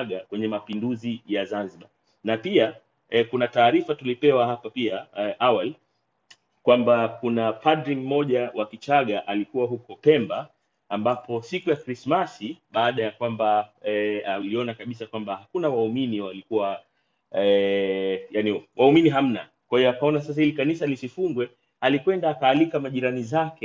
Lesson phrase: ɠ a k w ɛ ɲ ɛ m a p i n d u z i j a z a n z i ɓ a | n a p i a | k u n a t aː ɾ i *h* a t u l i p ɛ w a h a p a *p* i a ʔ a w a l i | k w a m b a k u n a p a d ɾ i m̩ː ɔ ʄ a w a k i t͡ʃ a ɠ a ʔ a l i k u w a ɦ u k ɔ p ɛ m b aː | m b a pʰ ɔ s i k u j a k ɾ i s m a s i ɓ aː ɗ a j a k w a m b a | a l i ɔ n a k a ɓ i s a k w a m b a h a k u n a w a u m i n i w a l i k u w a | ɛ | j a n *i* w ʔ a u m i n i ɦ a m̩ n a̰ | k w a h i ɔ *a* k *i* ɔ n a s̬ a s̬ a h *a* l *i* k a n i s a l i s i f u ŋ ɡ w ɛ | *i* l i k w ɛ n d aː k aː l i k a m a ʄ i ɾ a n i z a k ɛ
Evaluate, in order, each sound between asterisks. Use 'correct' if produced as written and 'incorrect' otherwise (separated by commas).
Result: incorrect, correct, correct, correct, incorrect, incorrect, correct, incorrect